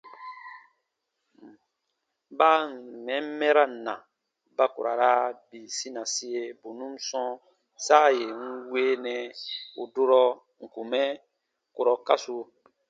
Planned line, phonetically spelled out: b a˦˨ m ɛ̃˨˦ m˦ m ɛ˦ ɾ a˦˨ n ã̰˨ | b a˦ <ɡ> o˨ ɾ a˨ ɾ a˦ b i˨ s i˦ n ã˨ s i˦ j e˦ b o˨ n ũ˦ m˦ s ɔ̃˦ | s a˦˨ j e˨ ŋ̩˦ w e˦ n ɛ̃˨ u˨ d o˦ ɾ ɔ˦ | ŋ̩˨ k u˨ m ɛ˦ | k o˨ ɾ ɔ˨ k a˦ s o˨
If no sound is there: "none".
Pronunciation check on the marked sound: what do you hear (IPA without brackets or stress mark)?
k